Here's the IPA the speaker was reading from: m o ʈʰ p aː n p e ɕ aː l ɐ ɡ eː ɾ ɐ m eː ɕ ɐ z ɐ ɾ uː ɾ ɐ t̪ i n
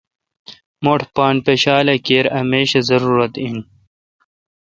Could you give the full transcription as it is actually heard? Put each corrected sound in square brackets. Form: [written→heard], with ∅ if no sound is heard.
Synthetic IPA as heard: m o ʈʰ p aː n p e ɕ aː l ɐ [ɡ→k] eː ɾ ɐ m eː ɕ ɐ z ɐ ɾ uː ɾ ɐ t̪ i n

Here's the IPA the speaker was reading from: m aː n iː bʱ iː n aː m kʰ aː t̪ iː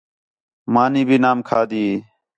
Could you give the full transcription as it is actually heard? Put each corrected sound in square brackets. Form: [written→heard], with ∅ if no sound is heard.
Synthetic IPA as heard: m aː n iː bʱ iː n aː m kʰ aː [t̪→d̪] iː

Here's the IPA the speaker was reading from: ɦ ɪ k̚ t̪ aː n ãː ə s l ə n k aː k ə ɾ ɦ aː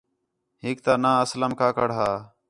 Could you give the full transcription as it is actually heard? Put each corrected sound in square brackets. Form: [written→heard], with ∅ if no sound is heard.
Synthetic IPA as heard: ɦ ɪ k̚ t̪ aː n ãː ə s l ə [n→m] k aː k ə [ɾ→ɽ] ɦ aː

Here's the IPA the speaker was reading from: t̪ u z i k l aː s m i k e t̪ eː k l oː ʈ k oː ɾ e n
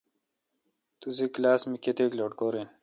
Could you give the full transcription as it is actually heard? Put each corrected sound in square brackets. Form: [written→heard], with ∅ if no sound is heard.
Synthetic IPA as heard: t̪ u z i k l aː s m i k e t̪ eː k l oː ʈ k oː ɾ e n

